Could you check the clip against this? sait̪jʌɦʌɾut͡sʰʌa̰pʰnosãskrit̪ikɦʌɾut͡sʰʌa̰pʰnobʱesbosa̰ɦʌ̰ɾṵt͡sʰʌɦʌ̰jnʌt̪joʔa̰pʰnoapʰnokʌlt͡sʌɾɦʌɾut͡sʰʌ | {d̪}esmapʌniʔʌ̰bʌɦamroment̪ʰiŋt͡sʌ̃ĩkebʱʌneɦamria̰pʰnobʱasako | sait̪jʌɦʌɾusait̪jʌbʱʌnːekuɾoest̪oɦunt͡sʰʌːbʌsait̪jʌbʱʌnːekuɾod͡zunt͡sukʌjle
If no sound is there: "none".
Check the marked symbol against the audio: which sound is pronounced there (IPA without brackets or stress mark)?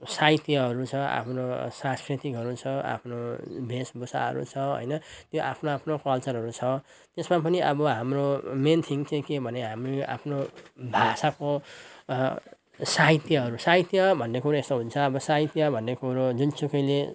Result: t̪